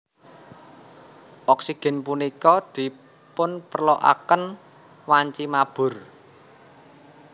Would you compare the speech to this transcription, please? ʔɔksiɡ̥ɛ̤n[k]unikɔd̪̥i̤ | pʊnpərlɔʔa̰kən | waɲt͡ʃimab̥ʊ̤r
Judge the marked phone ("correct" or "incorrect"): incorrect